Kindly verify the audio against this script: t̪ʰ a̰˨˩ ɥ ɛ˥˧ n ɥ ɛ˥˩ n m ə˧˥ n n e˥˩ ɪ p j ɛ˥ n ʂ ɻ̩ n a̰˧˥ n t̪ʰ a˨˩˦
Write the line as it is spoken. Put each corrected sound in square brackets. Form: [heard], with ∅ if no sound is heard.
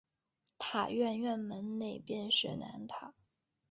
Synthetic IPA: t̪ʰ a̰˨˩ ɥ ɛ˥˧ n ɥ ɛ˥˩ n m ə˧˥ n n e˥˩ ɪ p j [ɛ˥˧] n ʂ ɻ̩ n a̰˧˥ n t̪ʰ a˨˩˦